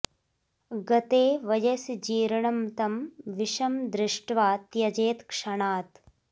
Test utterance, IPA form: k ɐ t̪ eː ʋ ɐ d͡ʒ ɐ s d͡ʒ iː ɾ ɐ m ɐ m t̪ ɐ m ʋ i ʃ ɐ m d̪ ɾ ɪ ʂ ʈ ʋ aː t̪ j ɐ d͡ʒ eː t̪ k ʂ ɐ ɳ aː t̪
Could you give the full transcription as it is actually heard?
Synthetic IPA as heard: ɡ ɐ t̪ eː ʋ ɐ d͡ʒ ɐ s d͡ʒ iː ɾ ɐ ɳ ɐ m t̪ ɐ m ʋ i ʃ ɐ m d̪ ɾ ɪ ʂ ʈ ʋ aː t̪ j ɐ d͡ʒ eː t̪ k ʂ ɐ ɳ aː t̪